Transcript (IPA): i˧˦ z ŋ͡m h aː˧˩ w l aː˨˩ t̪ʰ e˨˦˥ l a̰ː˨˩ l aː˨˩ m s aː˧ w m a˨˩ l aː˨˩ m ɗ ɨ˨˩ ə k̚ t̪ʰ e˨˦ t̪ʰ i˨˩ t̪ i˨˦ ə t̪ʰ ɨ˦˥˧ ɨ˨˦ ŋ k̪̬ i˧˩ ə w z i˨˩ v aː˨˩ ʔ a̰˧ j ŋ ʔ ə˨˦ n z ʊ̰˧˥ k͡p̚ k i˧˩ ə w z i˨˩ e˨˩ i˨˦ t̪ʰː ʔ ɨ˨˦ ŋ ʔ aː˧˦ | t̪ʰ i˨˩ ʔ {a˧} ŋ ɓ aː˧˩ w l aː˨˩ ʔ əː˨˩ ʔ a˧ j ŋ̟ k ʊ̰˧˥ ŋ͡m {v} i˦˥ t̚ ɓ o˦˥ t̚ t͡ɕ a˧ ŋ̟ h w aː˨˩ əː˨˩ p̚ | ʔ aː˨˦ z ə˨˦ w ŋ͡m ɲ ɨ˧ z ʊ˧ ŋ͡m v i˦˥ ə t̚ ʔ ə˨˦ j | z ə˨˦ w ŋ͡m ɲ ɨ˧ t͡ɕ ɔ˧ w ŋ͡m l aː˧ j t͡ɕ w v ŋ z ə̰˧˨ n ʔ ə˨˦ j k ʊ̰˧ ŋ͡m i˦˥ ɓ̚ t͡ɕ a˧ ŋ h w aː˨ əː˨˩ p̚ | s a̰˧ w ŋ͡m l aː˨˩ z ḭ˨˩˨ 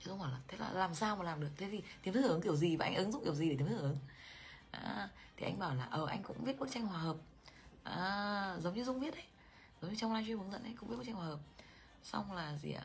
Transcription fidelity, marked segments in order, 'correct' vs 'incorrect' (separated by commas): correct, correct